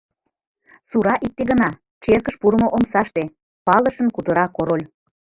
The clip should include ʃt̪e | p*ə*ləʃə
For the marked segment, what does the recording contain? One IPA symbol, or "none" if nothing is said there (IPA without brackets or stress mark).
ɑ